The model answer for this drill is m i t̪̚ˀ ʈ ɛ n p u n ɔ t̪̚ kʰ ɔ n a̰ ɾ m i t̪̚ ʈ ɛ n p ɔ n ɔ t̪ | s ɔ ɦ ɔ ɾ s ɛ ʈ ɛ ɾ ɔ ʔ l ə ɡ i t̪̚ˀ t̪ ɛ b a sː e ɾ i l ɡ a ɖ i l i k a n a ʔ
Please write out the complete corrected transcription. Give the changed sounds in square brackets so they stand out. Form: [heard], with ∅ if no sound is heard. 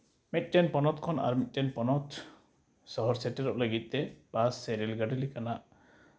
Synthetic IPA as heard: m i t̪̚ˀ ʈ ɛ n p [ɔ] n ɔ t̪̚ kʰ ɔ n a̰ ɾ m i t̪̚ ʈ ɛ n p ɔ n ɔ t̪ | s ɔ ɦ ɔ ɾ s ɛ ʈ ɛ ɾ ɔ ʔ l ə ɡ i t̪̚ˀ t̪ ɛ b a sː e ɾ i l ɡ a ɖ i l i k a n a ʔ